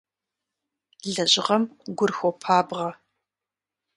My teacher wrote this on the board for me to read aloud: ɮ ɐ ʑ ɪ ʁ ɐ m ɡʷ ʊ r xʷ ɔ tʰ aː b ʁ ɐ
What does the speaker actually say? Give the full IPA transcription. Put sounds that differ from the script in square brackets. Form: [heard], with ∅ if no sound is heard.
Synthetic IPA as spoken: ɮ ɐ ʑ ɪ ʁ ɐ m ɡʷ ʊ r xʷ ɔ [pʰ] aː b ʁ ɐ